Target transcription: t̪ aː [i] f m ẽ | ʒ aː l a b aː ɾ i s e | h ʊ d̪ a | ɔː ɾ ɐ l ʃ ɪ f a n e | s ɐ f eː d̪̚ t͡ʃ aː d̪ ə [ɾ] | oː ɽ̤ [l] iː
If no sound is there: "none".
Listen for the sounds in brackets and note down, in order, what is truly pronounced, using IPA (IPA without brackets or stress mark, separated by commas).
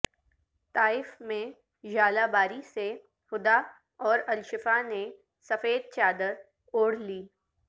ɪ, ɾ, l